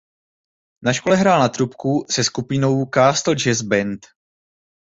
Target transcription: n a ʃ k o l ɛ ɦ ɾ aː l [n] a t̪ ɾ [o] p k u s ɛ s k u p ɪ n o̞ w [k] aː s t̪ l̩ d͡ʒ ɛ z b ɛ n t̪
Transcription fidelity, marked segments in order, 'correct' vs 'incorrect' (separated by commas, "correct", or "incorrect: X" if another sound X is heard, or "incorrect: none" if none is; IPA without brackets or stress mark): correct, incorrect: u, correct